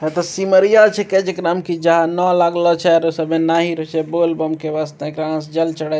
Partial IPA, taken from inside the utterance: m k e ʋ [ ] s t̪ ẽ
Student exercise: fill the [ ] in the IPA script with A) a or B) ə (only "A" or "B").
A